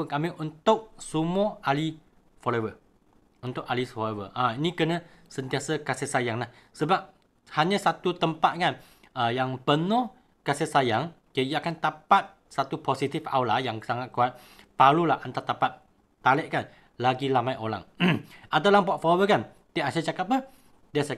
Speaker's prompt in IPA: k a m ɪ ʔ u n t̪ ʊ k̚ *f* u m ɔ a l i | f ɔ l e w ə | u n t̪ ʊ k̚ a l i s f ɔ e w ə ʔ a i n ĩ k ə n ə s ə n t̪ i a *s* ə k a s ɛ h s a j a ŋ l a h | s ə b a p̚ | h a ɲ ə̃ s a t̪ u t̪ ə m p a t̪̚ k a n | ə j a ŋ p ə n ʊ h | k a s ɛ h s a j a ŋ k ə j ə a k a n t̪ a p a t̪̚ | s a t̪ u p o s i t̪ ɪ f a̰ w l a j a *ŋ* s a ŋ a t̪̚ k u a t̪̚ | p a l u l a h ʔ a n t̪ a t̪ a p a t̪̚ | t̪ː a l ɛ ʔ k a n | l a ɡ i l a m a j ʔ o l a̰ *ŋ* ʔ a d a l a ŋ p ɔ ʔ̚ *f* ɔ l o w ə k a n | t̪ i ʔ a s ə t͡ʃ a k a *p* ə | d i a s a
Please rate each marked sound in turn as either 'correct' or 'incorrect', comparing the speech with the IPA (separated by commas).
incorrect, correct, correct, correct, correct, correct